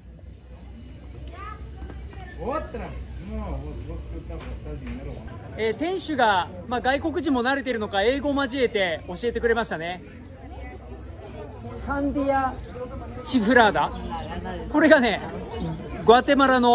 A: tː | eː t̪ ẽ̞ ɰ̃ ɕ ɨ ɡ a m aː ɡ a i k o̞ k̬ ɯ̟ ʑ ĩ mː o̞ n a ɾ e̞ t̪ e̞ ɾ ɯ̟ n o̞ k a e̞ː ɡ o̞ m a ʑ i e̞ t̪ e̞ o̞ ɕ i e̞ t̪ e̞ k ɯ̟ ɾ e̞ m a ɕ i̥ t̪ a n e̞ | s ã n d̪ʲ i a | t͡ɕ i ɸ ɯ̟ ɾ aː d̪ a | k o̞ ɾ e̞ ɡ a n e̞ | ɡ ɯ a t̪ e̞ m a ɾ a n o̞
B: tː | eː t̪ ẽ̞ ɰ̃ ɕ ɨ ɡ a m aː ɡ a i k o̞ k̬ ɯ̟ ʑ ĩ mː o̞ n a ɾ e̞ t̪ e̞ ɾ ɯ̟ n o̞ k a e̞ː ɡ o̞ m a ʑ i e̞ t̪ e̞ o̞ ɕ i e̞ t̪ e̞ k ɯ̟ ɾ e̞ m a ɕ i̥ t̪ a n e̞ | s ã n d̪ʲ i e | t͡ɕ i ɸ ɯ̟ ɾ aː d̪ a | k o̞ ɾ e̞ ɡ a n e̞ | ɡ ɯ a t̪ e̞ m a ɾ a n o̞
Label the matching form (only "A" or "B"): A